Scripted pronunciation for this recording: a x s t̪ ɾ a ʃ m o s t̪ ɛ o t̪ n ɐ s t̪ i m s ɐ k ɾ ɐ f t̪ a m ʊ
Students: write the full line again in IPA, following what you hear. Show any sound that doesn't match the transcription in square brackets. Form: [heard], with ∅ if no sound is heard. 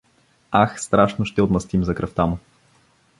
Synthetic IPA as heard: a x s t̪ ɾ a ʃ [n] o [ʃ] t̪ ɛ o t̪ [m] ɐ s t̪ i m [z] ɐ k ɾ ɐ f t̪ a m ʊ